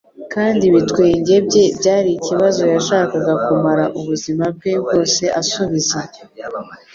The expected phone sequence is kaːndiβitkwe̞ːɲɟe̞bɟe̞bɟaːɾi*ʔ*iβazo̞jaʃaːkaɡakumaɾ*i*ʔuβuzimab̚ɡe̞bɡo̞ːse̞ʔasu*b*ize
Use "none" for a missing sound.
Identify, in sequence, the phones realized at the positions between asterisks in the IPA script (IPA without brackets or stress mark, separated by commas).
c, a, β